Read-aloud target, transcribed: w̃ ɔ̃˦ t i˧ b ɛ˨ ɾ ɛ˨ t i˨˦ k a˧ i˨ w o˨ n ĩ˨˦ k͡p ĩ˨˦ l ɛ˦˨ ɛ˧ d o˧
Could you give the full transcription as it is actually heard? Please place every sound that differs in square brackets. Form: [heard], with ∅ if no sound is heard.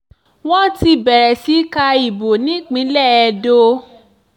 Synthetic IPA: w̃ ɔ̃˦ t i˧ b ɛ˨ ɾ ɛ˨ [s] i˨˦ k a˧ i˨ [b] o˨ n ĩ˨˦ k͡p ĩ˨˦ l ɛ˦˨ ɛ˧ d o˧